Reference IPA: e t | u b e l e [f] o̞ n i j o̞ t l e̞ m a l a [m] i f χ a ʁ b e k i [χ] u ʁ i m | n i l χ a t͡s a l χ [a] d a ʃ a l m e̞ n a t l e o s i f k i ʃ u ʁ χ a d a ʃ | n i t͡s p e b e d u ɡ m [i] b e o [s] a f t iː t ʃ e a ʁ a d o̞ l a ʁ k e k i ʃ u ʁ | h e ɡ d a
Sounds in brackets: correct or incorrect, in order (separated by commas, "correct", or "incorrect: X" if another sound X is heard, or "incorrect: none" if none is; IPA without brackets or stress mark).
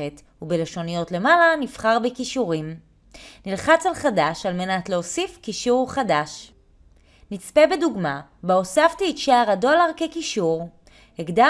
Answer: incorrect: ʃ, incorrect: n, incorrect: ʃ, correct, incorrect: a, correct